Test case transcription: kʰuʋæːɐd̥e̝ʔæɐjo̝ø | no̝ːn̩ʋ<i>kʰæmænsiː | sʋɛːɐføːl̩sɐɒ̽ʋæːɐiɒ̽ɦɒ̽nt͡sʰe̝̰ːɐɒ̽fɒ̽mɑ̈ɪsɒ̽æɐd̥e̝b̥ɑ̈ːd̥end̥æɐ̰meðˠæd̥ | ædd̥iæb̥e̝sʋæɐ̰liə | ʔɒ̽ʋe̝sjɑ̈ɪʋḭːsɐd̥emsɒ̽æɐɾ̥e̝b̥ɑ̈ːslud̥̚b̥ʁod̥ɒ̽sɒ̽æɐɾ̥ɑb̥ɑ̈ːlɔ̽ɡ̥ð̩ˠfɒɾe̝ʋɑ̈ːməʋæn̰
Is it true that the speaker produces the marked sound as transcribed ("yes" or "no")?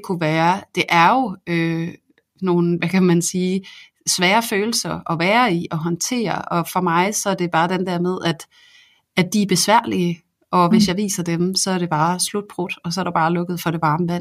no